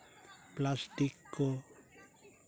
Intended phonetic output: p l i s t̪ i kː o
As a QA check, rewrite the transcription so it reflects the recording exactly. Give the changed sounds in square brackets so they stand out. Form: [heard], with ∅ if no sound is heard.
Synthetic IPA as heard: p l [a] s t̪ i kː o